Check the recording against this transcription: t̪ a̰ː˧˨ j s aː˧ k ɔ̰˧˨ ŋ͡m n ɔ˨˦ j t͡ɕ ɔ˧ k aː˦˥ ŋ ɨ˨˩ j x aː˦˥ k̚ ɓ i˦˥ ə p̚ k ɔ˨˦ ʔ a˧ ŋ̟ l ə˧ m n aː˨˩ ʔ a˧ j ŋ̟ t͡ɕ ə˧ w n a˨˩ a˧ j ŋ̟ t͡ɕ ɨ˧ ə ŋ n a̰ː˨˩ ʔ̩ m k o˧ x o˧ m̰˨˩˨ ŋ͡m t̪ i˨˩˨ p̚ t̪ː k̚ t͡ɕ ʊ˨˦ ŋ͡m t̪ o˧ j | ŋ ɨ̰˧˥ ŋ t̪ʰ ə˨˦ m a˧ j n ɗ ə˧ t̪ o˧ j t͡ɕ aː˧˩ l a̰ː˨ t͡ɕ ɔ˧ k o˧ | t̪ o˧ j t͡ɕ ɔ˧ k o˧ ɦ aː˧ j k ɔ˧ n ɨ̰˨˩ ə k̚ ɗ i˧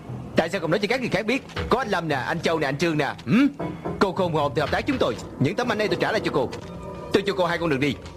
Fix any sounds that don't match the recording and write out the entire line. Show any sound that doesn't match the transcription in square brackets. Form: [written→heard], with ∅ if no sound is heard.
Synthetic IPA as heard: t̪ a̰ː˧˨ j s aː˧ k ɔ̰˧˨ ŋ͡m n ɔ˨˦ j t͡ɕ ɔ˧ k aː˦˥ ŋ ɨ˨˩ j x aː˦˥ k̚ ɓ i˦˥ ə [p̚→t̚] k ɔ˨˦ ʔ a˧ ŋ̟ l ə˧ m n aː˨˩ ʔ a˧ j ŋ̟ t͡ɕ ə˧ w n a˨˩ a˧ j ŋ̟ t͡ɕ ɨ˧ ə ŋ n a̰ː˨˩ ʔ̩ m k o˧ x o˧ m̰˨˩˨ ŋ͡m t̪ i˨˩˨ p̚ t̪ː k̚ t͡ɕ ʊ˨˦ ŋ͡m t̪ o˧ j | [ŋ→ɲ] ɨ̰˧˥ ŋ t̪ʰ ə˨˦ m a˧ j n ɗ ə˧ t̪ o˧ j t͡ɕ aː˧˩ l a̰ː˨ t͡ɕ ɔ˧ k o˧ | t̪ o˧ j t͡ɕ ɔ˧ k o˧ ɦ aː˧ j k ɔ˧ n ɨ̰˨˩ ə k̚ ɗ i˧